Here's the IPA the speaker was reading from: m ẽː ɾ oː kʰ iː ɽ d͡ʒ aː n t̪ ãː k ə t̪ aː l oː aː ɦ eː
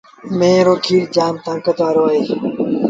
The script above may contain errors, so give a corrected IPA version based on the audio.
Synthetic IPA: m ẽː ɾ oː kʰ iː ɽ d͡ʒ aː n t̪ ãː k ə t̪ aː ɾ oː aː ɦ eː